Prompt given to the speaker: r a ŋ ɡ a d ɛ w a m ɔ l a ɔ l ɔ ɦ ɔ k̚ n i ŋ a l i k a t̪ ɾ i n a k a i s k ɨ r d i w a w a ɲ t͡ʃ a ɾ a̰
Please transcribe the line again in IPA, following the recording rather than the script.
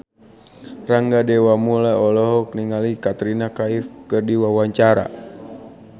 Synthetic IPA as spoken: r a ŋ ɡ a d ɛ w a m u l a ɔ l ɔ ɦ ɔ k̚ n i ŋ a l i k a t̪ ɾ i n a k a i f k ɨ r d i w a w a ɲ t͡ʃ a ɾ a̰